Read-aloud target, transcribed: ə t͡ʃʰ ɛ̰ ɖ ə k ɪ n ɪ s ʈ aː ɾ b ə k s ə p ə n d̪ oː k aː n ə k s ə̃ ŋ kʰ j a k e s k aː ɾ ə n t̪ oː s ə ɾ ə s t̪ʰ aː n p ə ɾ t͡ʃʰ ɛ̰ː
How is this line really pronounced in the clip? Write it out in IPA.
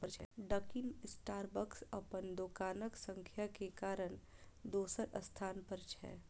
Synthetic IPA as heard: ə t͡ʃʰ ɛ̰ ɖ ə k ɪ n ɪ s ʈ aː ɾ b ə k s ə p ə n d̪ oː k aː n ə k s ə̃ ŋ kʰ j a k e k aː ɾ ə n d̪ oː s ə ɾ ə s t̪ʰ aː n p ə ɾ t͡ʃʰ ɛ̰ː